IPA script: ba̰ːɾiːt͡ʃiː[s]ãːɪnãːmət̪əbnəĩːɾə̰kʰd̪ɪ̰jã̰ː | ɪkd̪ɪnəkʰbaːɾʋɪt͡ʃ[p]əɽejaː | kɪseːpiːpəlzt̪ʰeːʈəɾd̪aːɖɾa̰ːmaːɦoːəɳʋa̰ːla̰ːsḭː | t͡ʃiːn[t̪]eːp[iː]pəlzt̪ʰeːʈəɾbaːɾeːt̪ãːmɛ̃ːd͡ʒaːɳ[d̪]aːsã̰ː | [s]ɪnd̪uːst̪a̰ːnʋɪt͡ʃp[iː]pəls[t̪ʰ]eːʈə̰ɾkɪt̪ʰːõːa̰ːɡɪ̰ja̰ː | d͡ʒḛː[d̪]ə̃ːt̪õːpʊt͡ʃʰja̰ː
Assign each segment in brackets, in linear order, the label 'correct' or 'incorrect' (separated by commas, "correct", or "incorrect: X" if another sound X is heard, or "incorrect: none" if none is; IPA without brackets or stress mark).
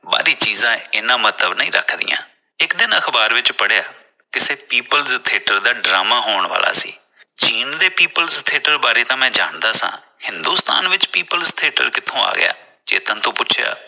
incorrect: z, correct, incorrect: d̪, correct, correct, incorrect: h, correct, correct, incorrect: t̪